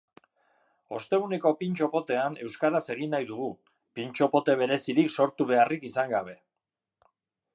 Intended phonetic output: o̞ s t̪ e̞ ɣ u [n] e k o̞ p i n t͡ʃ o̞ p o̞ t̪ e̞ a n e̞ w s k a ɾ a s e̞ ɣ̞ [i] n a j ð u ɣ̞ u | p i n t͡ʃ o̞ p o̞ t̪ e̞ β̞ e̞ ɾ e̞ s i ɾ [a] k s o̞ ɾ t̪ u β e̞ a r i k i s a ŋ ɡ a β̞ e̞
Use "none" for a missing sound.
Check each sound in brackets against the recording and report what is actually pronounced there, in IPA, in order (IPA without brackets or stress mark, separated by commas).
n, i, i